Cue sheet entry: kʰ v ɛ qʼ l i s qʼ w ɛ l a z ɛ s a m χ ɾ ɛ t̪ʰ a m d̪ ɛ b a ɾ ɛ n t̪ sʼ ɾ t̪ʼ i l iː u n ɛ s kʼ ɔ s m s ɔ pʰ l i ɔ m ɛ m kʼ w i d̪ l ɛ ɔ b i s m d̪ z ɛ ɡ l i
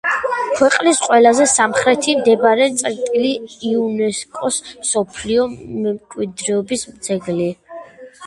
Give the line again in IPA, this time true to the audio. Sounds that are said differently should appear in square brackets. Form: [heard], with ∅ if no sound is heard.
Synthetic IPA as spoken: kʰ [w] ɛ qʼ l i s qʼ w ɛ l a z ɛ s a m χ ɾ ɛ t̪ʰ [i] m d̪ ɛ b a ɾ ɛ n t̪ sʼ ɾ t̪ʼ i l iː u n ɛ s kʼ ɔ s m s ɔ pʰ l i ɔ m ɛ m kʼ w i d̪ [ɾ] ɛ ɔ b i s m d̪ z ɛ ɡ l i